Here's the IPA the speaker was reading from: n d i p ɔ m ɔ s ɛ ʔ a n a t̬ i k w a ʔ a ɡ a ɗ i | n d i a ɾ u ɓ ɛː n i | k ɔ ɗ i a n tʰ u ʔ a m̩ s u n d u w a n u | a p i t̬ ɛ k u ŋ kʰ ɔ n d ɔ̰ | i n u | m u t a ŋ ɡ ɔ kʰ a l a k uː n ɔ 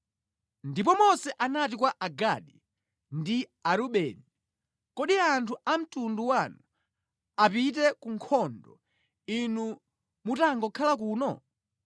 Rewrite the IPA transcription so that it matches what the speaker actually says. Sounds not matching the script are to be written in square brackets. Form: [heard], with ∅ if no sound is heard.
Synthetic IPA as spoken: n d i p ɔ m ɔ s ɛ ʔ a n a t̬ i k w a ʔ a ɡ a ɗ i | n d i a ɾ u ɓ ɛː n i | k ɔ ɗ i a n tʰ u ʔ a m̩ [t] u n d u w a n u | a p i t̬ ɛ k u ŋ kʰ ɔ n d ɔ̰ | i n u | m u t a ŋ ɡ ɔ kʰ a l a k uː n ɔ